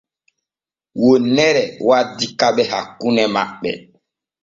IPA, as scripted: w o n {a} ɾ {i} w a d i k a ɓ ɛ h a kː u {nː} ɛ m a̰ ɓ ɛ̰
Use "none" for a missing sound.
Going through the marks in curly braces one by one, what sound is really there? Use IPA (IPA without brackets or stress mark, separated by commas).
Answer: ɛ, ɛ, n